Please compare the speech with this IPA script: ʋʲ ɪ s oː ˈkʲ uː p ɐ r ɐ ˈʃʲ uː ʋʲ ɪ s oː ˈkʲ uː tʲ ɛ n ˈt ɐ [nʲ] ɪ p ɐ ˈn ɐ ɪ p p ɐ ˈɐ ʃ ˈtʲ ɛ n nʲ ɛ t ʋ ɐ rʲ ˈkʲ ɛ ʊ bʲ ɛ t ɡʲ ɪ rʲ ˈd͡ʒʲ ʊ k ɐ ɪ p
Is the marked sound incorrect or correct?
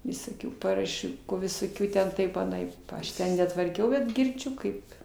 incorrect